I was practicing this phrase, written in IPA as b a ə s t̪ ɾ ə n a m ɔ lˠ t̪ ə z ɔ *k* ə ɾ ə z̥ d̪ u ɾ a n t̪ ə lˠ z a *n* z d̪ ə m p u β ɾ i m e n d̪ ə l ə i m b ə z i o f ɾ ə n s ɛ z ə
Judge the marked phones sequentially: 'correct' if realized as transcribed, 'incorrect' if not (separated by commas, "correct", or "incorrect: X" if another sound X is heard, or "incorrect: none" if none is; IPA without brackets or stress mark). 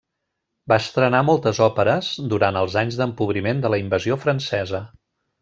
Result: incorrect: p, incorrect: ɲ